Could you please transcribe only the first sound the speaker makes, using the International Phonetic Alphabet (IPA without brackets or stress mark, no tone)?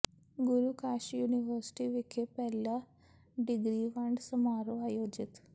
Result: ɡ